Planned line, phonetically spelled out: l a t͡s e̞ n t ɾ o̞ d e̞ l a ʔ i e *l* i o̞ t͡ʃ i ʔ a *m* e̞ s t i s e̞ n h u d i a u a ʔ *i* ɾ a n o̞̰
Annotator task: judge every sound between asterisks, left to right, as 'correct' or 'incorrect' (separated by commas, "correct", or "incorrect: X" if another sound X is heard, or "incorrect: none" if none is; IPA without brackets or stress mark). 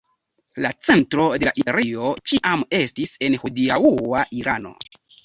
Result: incorrect: ɾ, correct, correct